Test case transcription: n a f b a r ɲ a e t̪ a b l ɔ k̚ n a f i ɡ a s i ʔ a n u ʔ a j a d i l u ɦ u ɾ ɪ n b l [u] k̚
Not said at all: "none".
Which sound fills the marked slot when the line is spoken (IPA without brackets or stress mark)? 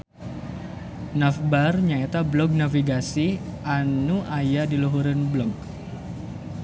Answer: ɔ